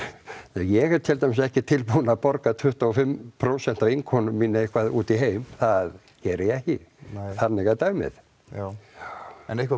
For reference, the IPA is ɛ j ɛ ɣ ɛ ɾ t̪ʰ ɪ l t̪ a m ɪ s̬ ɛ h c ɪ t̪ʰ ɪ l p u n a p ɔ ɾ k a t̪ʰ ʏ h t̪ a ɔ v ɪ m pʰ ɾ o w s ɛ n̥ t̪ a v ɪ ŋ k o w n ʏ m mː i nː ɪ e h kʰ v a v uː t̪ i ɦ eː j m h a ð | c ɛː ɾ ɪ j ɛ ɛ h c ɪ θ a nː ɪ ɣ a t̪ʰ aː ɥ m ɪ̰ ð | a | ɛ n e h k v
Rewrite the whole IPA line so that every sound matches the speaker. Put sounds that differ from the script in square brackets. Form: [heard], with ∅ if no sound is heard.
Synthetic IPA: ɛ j ɛ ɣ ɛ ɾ t̪ʰ ɪ l t̪ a m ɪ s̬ ɛ h c ɪ t̪ʰ ɪ l p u n a p ɔ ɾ k a t̪ʰ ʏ h t̪ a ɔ [f] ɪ m pʰ ɾ o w s ɛ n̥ t̪ a v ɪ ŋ [kʰ] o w n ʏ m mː i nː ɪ e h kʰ v a [ð] uː t̪ i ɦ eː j m [θ] a ð | c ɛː ɾ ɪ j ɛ ɛ h c ɪ θ a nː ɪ ɣ a [t̪] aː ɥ m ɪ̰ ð | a | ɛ n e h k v